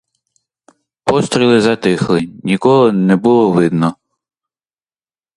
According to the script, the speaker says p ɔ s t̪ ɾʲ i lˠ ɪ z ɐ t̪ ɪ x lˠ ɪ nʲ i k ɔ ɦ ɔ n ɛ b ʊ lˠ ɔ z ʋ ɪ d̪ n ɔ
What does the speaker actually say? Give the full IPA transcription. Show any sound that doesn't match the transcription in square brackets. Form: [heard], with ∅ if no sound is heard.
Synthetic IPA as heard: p ɔ s t̪ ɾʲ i lˠ ɪ z ɐ t̪ ɪ x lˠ ɪ nʲ i k ɔ ɦ ɔ n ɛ b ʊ lˠ ɔ [∅] ʋ ɪ d̪ n ɔ

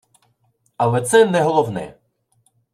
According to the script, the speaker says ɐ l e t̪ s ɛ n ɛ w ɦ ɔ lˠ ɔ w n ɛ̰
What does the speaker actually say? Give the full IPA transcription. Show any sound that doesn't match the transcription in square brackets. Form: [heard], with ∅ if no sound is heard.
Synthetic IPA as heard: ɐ l [ɛ] t̪ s ɛ n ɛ [∅] ɦ ɔ lˠ ɔ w n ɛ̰

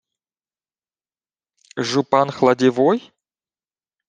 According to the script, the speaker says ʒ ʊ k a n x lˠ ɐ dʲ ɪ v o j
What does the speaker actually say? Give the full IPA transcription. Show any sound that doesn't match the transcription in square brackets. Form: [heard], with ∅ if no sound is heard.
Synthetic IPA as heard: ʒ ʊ [p] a n x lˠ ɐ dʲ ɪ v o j

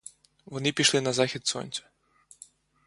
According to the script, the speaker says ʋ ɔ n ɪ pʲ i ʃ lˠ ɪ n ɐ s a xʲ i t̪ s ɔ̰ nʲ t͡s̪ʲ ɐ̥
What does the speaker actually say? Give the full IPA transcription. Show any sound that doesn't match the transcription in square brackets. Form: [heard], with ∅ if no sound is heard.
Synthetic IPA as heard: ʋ ɔ n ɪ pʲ i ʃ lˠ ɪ n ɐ [z] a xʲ i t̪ s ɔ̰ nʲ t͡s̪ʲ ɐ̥

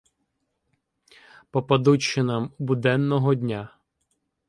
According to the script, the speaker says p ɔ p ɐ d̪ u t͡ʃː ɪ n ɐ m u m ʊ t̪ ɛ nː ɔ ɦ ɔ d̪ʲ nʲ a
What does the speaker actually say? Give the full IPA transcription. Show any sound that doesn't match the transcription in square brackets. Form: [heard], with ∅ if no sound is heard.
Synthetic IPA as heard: p ɔ p ɐ d̪ u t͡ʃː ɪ n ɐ m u [b] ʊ [d̪] ɛ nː ɔ ɦ ɔ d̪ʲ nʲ a

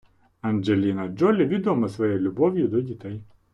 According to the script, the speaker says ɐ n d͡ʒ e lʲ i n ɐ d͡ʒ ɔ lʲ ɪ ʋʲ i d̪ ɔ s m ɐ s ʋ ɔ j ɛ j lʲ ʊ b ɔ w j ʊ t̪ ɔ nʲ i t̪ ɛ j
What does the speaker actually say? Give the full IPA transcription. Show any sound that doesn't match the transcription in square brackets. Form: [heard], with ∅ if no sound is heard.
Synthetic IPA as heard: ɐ n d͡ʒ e lʲ i n ɐ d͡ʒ ɔ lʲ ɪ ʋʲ i d̪ ɔ [∅] m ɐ s ʋ ɔ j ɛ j lʲ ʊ b ɔ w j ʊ [d̪] ɔ [dʲ] i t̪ ɛ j

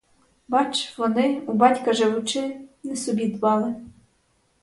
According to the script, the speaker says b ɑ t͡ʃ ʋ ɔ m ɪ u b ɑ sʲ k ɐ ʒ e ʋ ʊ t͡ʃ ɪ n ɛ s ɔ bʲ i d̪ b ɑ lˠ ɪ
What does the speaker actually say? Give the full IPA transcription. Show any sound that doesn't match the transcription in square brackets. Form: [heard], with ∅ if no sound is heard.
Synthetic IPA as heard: b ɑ t͡ʃ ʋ ɔ [n] ɪ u b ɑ [tʲ] k ɐ ʒ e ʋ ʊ t͡ʃ ɪ n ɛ s ɔ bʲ i d̪ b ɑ lˠ ɪ

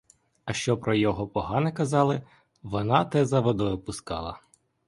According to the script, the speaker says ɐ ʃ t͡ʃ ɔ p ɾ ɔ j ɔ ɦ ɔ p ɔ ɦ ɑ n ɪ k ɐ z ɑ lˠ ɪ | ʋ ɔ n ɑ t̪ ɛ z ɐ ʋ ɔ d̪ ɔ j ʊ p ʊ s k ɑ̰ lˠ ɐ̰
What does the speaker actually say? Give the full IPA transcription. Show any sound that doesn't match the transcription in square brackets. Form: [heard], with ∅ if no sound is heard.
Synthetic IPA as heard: ɐ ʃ t͡ʃ ɔ p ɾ ɔ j ɔ ɦ ɔ p ɔ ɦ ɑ n ɪ k ɐ z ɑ lˠ ɪ | ʋ ɔ n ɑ t̪ ɛ z ɐ ʋ ɔ d̪ ɔ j ʊ p ʊ s k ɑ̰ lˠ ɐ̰

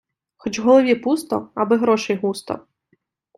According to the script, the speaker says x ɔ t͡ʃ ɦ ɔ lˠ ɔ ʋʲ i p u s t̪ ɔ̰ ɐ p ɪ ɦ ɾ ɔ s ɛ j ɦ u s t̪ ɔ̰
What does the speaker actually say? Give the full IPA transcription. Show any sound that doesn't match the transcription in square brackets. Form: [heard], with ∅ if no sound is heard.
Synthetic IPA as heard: x ɔ t͡ʃ ɦ ɔ lˠ ɔ ʋʲ i p u s t̪ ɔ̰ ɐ [b] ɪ ɦ ɾ ɔ [ʃ] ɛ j ɦ u s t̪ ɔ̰

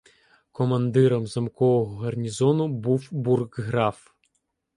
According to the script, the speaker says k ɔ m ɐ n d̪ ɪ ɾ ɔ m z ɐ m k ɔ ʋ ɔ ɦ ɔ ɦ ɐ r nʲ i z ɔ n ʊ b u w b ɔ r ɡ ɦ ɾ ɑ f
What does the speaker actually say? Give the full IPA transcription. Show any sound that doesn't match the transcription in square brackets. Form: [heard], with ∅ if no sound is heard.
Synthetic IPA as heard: k ɔ m ɐ n d̪ ɪ ɾ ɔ m z ɐ m k ɔ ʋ ɔ ɦ ɔ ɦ ɐ r nʲ i z ɔ n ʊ b u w b [u] r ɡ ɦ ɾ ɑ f

